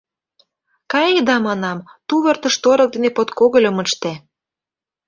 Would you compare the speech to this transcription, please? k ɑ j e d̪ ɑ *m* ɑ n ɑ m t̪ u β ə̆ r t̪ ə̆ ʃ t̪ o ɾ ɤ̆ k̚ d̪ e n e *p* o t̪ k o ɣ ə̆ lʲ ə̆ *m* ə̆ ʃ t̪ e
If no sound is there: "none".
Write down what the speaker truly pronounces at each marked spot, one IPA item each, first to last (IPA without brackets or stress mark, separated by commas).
m, p, m